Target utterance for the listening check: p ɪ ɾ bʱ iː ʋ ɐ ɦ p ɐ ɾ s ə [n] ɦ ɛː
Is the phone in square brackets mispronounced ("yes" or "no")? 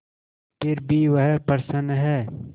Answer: no